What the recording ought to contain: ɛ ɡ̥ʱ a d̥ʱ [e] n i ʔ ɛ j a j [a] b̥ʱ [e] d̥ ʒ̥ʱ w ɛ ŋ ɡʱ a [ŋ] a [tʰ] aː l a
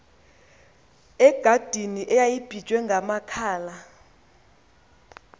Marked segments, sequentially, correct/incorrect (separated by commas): incorrect, incorrect, incorrect, incorrect, incorrect